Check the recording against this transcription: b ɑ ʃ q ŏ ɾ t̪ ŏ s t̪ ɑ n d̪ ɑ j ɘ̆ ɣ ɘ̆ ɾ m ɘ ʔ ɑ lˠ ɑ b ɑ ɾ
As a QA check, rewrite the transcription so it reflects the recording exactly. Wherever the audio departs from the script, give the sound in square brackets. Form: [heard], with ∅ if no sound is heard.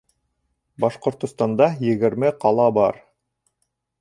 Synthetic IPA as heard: b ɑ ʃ q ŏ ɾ t̪ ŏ s t̪ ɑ n d̪ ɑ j ɘ̆ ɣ ɘ̆ ɾ m ɘ [q] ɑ lˠ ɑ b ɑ ɾ